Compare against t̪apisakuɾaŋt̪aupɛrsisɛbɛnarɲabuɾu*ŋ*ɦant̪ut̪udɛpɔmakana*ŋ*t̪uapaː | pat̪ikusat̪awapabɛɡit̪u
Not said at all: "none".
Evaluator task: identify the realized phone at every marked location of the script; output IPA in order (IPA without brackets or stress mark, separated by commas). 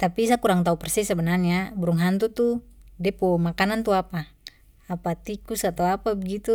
ŋ, n